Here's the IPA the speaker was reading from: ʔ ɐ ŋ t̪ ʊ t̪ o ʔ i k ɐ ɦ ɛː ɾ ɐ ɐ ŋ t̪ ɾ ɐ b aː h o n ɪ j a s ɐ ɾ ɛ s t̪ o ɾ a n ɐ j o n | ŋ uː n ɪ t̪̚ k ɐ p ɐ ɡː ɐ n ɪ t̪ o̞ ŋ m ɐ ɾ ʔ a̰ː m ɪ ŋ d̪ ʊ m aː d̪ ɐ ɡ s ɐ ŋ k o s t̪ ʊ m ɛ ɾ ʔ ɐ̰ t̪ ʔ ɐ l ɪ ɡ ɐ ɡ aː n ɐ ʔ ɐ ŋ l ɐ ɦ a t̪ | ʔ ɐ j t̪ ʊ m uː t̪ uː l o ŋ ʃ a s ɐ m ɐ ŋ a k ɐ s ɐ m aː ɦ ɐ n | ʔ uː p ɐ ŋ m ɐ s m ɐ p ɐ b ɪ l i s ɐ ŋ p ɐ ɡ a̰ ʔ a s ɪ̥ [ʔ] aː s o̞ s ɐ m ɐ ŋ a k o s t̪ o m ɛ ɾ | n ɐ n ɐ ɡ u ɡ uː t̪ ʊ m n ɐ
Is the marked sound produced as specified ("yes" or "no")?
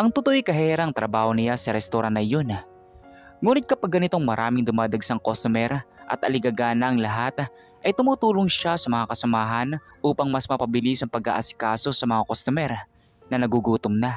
no